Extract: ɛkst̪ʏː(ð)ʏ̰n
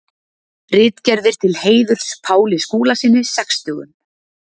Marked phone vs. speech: incorrect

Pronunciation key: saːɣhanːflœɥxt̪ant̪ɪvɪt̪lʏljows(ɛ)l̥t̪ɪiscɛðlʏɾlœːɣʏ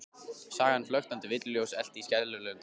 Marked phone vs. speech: correct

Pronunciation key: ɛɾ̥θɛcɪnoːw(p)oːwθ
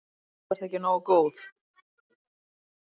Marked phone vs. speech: incorrect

